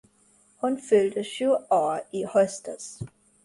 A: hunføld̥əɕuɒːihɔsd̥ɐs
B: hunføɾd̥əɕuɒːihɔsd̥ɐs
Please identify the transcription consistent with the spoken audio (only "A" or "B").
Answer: A